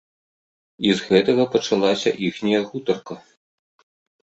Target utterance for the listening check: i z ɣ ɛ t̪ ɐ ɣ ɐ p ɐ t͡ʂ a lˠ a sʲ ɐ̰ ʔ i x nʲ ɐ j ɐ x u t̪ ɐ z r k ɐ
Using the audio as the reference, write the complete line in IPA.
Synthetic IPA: i z ɣ ɛ t̪ ɐ ɣ ɐ p ɐ t͡ʂ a lˠ a sʲ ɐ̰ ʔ i x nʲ ɐ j ɐ ɣ u t̪ ɐ r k ɐ